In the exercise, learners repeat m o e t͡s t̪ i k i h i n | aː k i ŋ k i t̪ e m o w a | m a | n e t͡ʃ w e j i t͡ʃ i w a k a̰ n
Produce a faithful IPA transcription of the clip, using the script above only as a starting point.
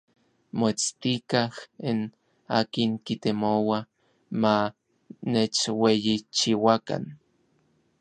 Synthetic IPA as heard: m o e t͡s t̪ i k a h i n | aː k i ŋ k i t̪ e m o w a | m a | n e t͡ʃ w e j i t͡ʃ i w a k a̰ n